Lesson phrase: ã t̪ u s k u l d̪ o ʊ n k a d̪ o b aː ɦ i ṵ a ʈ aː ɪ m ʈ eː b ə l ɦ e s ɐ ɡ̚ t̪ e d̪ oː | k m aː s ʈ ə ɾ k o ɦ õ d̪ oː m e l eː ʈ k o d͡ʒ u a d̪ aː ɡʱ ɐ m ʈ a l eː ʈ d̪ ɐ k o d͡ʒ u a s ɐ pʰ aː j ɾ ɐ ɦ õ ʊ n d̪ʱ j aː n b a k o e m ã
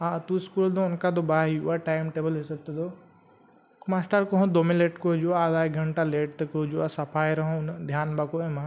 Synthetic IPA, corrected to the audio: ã t̪ u s k u l d̪ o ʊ n k a d̪ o b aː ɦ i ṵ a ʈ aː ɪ m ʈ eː b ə l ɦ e s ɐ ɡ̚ t̪ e d̪ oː | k m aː s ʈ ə ɾ k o ɦ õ d̪ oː m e l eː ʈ k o d͡ʒ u a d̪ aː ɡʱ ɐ ɳ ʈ a l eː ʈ t̪ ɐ k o d͡ʒ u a s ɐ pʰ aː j ɾ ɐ ɦ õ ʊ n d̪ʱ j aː n b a k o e m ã